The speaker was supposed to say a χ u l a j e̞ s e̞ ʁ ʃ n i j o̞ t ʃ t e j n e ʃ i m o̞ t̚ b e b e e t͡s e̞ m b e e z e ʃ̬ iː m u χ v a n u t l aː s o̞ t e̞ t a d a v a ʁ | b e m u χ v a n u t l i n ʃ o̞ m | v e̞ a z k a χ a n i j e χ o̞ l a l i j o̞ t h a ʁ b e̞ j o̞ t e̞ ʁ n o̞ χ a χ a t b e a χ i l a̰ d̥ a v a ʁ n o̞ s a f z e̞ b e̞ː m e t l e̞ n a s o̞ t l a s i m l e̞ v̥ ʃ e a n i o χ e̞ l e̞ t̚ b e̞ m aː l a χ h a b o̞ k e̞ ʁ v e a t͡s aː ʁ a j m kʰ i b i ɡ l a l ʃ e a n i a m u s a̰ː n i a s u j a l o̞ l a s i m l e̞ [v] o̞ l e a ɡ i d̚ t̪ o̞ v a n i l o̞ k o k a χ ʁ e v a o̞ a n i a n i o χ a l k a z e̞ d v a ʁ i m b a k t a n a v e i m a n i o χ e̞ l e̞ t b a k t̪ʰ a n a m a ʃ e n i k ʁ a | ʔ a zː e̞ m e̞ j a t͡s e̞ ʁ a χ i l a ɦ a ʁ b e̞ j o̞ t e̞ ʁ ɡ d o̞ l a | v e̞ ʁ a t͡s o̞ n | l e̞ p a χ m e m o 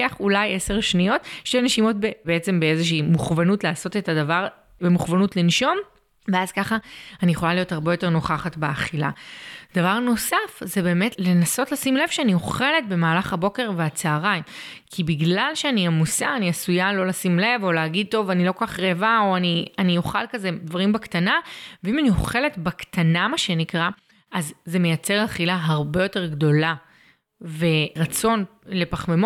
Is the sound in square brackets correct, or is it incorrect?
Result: correct